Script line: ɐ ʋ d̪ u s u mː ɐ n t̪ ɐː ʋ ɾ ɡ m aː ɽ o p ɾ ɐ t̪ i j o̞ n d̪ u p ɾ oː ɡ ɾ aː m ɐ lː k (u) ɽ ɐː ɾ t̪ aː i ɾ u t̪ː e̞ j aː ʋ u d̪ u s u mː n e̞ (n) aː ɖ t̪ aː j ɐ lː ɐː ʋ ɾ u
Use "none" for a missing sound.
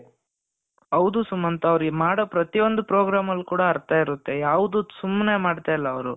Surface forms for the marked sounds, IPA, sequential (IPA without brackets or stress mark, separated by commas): uː, m